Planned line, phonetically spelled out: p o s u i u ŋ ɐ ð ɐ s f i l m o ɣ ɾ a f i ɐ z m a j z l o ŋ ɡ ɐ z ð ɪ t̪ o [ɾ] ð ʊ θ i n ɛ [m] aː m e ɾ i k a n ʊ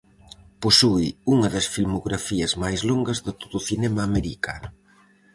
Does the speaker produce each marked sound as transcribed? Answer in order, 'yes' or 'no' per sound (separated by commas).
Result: no, yes